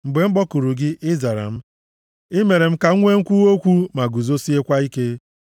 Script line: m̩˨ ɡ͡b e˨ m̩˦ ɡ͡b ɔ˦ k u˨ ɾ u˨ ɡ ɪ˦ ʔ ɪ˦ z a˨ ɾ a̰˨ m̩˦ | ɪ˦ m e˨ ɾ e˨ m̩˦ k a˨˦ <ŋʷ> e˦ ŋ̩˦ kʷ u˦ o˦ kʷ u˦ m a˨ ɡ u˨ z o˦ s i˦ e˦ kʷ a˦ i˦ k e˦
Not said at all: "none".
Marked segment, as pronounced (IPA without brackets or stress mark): ŋʷ